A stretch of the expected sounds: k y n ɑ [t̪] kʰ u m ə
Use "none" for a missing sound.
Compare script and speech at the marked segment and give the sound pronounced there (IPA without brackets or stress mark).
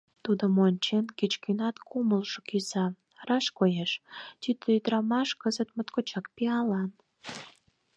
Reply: t̪